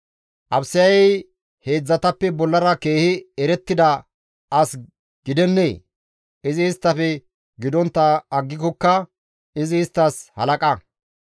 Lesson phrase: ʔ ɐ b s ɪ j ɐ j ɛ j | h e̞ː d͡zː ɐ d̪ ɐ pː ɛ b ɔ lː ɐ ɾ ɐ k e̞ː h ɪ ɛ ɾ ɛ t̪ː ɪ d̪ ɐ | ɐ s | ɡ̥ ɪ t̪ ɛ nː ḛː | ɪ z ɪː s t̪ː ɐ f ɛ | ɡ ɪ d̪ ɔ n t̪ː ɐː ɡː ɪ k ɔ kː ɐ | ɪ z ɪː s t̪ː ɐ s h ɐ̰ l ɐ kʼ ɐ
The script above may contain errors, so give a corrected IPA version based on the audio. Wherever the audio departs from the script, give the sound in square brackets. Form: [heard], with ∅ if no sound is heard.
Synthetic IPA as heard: ʔ ɐ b s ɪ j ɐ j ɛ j | h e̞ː d͡zː ɐ [t̪] ɐ pː ɛ b ɔ lː ɐ ɾ ɐ k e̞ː h ɪ ɛ ɾ ɛ t̪ː ɪ d̪ ɐ | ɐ s | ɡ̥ ɪ [d̪] ɛ nː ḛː | ɪ z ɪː s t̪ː ɐ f ɛ | ɡ ɪ d̪ ɔ n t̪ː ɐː ɡː ɪ k ɔ kː ɐ | ɪ z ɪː s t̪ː ɐ s h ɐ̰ l ɐ kʼ ɐ